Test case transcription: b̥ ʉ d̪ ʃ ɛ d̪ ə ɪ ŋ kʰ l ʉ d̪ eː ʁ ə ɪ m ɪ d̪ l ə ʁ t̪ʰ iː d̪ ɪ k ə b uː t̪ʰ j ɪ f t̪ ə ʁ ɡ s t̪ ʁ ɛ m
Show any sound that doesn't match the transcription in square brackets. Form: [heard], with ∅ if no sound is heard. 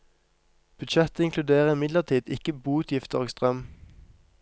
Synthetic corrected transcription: b̥ ʉ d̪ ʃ ɛ [t̪] ə ɪ ŋ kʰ l ʉ d̪ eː ʁ ə ɪ m ɪ d̪ l ə ʁ t̪ʰ iː d̪ ɪ k ə b uː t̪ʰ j ɪ f t̪ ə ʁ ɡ s t̪ ʁ [œ] m